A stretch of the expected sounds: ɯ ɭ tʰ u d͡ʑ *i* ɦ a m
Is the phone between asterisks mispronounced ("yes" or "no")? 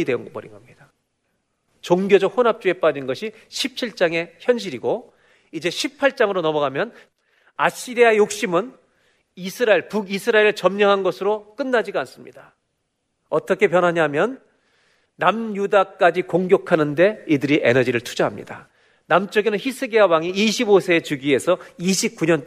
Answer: yes